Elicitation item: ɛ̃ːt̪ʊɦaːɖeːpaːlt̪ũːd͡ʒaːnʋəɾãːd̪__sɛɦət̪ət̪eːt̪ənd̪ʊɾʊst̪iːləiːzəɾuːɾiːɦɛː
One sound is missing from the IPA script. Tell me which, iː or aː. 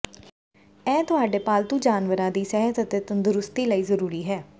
iː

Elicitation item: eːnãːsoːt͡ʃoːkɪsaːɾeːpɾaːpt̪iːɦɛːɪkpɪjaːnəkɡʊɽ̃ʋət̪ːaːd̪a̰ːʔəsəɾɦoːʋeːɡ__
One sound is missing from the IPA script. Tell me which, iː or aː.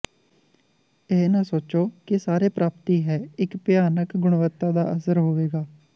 aː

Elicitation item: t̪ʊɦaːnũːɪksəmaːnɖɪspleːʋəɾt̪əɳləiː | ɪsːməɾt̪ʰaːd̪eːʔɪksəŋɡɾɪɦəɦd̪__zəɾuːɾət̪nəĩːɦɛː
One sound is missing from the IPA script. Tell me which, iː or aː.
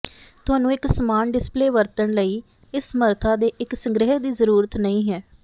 iː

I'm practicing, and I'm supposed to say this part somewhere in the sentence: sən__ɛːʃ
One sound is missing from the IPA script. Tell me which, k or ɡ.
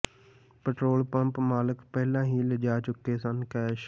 k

